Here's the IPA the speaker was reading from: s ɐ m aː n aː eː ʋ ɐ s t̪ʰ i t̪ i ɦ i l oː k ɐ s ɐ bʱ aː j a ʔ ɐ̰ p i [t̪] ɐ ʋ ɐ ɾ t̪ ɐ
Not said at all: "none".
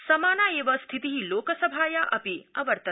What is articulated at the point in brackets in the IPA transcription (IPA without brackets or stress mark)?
none